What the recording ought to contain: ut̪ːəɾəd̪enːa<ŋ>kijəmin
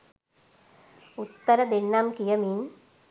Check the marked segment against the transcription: incorrect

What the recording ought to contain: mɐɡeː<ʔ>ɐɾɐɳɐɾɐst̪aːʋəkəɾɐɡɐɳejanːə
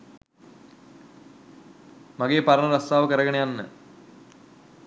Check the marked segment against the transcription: incorrect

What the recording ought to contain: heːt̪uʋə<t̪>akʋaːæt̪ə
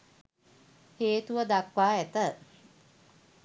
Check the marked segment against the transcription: incorrect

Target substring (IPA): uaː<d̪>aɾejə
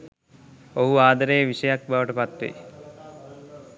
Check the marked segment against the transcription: correct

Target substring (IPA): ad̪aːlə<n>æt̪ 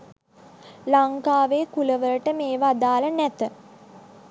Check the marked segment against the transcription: correct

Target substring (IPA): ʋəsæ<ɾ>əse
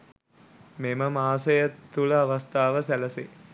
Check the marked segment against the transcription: incorrect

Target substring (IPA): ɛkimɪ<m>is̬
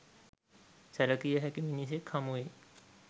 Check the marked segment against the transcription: incorrect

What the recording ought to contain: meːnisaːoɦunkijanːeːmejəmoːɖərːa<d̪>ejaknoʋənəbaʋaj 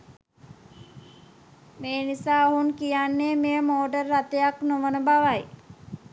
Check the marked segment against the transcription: incorrect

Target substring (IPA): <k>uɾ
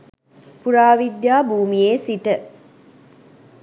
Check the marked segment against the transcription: incorrect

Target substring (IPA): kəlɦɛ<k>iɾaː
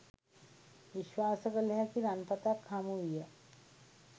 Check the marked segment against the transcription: correct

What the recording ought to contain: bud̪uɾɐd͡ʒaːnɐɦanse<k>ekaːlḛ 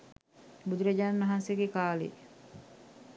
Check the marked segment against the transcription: incorrect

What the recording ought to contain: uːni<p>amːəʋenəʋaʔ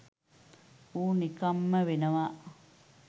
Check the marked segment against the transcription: incorrect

